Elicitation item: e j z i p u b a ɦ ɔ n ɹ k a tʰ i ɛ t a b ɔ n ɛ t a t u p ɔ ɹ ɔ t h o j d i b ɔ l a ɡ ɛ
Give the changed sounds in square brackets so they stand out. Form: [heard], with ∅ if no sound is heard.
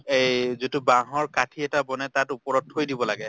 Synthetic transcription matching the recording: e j z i [t] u b a ɦ ɔ [∅] ɹ k a tʰ i ɛ t a b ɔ n ɛ t a t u p ɔ ɹ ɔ t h o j d i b ɔ l a ɡ ɛ